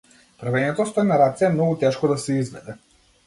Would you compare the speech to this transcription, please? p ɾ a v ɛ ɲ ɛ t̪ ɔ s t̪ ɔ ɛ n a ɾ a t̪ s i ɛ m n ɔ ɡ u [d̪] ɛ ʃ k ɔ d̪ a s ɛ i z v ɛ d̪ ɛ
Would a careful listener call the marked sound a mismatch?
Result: yes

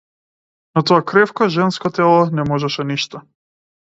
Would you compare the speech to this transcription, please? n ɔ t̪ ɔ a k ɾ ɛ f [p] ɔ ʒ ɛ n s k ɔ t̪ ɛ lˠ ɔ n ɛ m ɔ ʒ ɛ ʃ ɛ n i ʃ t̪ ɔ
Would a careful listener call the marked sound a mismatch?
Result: yes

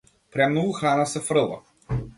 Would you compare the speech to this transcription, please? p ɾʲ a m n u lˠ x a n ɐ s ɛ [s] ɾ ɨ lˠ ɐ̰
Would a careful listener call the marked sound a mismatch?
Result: yes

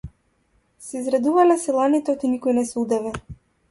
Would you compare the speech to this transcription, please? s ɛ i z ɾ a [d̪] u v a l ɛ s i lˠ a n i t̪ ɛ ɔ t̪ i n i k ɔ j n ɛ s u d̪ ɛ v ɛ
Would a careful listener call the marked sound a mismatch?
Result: no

